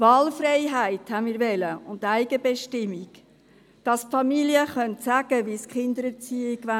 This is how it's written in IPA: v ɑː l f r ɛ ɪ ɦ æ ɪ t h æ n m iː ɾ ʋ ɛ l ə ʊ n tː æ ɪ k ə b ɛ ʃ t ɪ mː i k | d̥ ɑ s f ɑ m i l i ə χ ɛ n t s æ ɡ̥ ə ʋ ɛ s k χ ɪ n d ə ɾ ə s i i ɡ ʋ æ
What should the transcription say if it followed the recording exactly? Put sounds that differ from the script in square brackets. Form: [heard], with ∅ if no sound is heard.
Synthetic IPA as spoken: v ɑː l f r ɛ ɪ ɦ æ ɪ t h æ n m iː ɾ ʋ ɛ l ə ʊ n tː æ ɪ [ɡ] ə b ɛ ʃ t ɪ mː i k | d̥ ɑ s f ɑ m i l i ə χ [œ] n t s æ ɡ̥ ə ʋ [i] s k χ ɪ n d ə ɾ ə [t͡s] i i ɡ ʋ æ